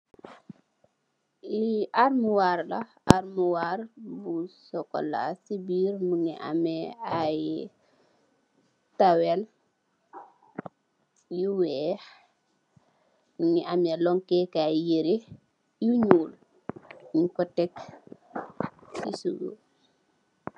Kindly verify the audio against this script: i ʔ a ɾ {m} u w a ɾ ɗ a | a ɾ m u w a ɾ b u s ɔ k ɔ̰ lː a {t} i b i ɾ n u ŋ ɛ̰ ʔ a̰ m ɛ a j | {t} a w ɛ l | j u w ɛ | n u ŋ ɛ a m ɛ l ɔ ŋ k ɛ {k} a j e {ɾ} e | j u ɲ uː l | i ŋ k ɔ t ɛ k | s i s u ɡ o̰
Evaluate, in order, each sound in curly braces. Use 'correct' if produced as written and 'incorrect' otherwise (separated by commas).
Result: correct, incorrect, correct, correct, correct